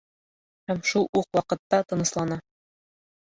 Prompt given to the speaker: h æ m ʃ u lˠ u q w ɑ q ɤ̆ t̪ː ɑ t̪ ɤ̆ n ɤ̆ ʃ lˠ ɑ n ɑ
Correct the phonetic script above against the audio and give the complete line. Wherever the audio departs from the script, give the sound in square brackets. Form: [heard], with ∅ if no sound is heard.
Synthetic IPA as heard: h æ m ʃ u lˠ u q w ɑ q ɤ̆ t̪ː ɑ t̪ ɤ̆ n ɤ̆ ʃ lˠ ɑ n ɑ